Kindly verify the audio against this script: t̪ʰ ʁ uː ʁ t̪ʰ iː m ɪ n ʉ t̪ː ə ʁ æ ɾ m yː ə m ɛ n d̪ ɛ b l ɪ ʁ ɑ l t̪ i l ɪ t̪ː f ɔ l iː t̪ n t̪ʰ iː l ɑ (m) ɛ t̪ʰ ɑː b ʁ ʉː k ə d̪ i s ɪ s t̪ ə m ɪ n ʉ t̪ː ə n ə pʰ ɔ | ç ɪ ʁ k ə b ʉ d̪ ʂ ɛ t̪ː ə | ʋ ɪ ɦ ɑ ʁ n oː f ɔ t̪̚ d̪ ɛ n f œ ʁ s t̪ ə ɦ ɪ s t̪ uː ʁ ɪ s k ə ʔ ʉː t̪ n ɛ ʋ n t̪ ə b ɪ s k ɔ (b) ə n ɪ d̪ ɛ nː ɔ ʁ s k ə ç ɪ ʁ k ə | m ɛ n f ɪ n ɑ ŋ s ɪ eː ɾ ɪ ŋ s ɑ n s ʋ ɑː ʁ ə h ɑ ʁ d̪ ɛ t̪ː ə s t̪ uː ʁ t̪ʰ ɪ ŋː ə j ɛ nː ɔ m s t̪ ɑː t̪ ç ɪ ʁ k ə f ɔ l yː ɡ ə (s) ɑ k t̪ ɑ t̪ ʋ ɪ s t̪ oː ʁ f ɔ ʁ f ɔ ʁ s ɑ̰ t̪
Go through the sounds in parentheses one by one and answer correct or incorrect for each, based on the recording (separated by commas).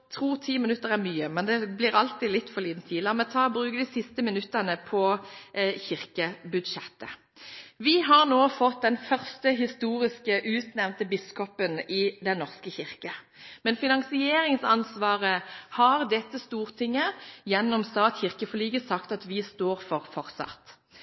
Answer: correct, incorrect, correct